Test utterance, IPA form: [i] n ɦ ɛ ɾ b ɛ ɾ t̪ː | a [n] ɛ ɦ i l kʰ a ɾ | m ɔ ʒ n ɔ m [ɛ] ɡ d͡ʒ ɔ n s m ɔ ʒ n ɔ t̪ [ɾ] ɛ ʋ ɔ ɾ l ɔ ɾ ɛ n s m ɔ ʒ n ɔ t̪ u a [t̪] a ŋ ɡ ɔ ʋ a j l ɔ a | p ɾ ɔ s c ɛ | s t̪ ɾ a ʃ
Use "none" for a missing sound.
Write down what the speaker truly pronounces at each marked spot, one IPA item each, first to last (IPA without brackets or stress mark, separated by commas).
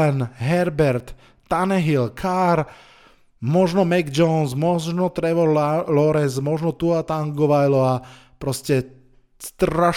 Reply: ɛ, n, ɛ, ɾ, t̪